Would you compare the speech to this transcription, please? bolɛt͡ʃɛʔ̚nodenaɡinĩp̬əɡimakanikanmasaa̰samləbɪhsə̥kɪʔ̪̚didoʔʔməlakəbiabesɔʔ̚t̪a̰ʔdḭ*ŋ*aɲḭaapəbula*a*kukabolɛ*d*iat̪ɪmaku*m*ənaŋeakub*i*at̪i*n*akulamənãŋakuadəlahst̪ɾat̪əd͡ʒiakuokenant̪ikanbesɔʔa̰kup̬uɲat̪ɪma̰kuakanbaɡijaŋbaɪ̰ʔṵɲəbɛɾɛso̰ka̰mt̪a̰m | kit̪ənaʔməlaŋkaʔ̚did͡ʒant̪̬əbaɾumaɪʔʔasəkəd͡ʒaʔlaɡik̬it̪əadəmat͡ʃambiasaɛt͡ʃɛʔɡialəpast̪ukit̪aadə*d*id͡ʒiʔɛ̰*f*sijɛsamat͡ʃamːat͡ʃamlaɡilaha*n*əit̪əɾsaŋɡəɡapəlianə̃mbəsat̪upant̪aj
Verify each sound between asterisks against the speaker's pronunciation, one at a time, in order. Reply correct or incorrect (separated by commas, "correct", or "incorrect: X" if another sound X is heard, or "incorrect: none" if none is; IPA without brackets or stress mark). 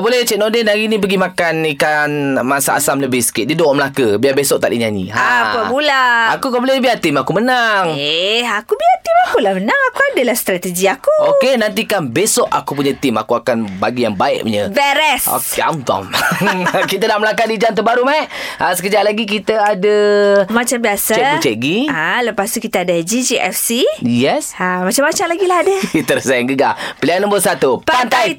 incorrect: ɲ, correct, incorrect: b, correct, correct, incorrect: m, incorrect: d͡ʒ, correct, incorrect: d